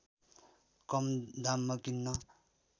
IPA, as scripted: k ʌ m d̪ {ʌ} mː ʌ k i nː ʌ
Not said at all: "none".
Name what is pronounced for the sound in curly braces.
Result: a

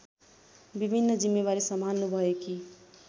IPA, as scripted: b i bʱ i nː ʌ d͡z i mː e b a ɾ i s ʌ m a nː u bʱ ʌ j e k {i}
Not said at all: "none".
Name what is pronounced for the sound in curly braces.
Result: i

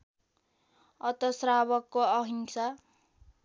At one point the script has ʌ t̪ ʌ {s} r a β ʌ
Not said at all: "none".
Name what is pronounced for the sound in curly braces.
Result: s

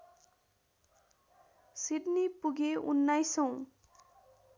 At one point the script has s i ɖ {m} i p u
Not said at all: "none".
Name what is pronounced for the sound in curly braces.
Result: n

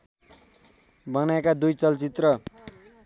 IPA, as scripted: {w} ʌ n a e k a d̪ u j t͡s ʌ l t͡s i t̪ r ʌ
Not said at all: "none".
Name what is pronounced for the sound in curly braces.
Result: b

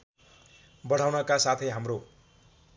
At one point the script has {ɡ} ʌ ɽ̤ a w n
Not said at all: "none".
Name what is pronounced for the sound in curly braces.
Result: b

